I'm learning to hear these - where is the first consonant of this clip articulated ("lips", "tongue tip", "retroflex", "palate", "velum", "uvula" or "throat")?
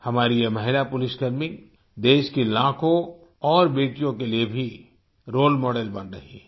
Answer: throat